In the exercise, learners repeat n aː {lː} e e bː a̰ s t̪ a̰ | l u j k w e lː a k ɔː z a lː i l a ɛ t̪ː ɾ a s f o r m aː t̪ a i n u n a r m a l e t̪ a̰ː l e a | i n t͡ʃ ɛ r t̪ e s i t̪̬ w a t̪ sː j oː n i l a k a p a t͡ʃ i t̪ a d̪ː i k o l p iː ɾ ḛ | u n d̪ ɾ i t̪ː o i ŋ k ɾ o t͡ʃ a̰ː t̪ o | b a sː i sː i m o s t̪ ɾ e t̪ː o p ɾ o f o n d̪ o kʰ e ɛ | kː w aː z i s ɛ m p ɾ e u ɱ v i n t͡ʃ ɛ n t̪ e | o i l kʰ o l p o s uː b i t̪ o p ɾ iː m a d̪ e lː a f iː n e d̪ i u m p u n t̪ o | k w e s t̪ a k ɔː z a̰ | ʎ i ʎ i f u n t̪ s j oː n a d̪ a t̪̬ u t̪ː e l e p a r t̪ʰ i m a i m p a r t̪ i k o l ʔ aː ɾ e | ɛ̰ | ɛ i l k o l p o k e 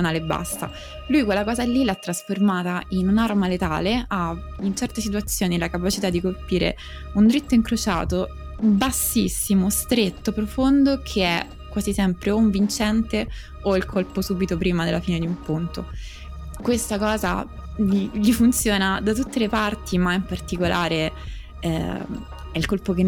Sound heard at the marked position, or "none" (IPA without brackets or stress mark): l